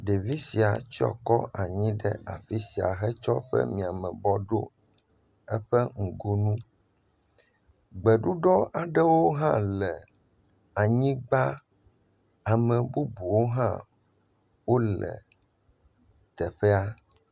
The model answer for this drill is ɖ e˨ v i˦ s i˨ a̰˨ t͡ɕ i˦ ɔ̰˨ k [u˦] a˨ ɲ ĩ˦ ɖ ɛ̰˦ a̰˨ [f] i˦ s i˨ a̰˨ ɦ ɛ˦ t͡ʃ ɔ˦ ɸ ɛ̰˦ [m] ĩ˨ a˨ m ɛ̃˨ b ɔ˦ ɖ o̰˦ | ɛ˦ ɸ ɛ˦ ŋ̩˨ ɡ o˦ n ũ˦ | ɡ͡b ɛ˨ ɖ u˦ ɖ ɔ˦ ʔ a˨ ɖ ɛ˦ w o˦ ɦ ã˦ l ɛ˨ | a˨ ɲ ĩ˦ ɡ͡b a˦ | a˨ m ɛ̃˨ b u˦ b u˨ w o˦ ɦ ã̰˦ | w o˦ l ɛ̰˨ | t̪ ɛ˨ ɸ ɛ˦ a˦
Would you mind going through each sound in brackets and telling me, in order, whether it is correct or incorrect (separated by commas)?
incorrect, correct, correct